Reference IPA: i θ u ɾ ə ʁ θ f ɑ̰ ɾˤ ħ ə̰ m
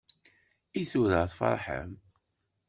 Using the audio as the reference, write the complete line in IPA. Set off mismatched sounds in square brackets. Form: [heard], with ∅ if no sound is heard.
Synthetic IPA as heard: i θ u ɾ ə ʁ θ f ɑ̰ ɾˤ ħ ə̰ m